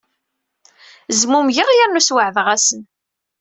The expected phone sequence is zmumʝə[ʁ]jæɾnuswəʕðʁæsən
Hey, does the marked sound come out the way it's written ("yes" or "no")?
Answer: yes